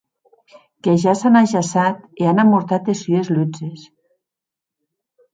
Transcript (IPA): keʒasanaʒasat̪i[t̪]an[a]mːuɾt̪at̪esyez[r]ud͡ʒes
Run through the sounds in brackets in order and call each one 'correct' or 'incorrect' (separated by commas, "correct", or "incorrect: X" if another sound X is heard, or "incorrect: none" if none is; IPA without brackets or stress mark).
incorrect: none, correct, incorrect: l